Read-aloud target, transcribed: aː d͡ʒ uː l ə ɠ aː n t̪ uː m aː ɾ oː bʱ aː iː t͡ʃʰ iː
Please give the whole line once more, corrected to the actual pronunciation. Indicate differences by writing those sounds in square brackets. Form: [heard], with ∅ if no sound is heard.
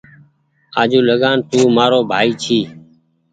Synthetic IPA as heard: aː d͡ʒ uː l ə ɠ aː n t̪ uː m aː ɾ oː bʱ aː iː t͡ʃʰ iː